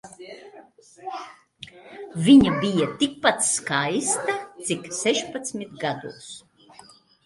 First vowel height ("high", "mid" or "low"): high